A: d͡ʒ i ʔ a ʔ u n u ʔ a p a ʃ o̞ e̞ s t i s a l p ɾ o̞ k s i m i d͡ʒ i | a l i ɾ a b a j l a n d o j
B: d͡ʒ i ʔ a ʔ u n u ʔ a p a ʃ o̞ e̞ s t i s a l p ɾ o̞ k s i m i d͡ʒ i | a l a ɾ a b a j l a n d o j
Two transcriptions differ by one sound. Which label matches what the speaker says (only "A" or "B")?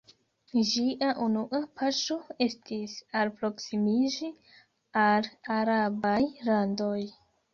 B